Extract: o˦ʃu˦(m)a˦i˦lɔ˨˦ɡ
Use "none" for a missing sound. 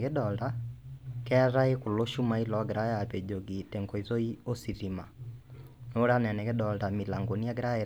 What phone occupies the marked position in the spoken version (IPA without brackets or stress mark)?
m